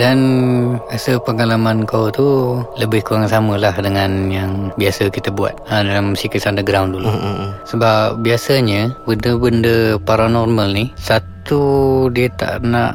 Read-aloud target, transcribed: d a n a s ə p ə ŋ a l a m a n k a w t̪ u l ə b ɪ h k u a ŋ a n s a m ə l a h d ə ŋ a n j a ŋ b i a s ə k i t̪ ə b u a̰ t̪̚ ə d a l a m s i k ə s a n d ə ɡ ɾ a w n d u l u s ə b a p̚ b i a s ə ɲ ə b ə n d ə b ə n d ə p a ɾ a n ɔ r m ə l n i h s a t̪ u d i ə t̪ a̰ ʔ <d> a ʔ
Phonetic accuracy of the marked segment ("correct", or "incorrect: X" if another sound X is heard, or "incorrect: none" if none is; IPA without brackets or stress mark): incorrect: n